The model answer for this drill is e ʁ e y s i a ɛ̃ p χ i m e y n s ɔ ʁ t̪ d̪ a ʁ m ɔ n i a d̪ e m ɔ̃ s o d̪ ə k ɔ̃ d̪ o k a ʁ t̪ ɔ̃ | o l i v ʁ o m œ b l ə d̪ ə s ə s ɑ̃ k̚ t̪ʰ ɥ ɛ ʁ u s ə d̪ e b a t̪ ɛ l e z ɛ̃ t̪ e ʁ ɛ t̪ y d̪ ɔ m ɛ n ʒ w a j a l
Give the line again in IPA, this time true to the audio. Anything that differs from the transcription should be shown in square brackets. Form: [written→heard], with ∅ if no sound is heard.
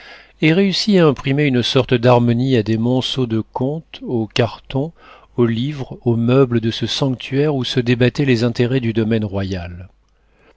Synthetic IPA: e ʁ e y s i a ɛ̃ p χ i m e y n s ɔ ʁ t̪ d̪ a ʁ m ɔ n i a d̪ e m ɔ̃ s o d̪ ə k ɔ̃ [d̪→t̪] o k a ʁ t̪ ɔ̃ | o l i v ʁ o m œ b l ə d̪ ə s ə s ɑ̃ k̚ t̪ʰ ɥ ɛ ʁ u s ə d̪ e b a t̪ ɛ l e z ɛ̃ t̪ e ʁ ɛ [t̪→d̪] y d̪ ɔ m ɛ n [ʒ→ʁ] w a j a l